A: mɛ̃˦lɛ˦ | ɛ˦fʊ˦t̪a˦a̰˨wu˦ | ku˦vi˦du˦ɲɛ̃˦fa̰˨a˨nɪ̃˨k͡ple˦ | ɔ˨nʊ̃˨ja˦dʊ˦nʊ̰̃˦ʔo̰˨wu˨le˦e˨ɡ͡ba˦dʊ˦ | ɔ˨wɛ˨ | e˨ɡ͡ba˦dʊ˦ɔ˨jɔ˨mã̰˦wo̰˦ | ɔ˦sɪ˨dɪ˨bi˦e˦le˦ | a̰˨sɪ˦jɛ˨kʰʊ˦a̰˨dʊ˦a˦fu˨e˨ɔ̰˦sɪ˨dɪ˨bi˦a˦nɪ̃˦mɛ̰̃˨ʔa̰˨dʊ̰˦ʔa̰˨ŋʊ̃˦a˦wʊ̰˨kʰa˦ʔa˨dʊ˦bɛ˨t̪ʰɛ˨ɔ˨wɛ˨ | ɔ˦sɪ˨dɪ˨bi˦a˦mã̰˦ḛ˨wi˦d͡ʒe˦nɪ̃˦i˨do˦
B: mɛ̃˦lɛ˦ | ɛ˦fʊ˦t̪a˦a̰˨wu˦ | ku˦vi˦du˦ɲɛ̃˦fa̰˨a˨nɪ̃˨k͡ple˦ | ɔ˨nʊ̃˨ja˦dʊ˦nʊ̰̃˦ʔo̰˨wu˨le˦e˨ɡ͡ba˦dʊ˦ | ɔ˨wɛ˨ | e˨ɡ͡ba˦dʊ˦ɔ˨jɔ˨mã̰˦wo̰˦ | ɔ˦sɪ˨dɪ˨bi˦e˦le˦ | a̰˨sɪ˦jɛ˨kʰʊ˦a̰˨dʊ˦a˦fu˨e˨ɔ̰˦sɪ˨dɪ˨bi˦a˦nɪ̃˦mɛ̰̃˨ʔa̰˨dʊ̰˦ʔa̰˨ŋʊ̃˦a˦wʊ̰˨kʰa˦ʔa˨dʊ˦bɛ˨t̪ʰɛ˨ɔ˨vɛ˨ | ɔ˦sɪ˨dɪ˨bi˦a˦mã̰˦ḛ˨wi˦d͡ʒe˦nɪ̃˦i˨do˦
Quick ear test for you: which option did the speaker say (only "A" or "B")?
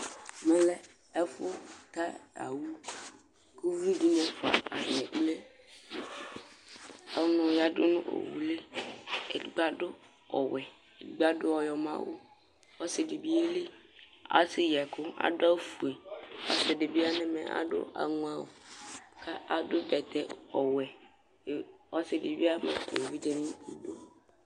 A